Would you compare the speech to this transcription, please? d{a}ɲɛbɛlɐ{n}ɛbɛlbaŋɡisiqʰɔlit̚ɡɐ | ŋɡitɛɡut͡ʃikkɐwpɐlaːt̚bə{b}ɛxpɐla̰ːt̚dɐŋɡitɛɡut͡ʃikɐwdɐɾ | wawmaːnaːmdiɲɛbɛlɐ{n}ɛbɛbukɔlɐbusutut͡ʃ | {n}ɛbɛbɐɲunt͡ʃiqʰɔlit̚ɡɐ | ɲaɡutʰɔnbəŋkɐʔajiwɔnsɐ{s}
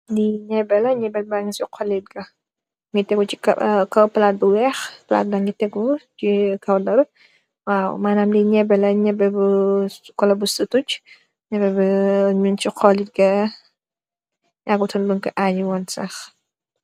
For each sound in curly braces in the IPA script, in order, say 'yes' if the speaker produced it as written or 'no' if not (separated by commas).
no, no, no, no, no, no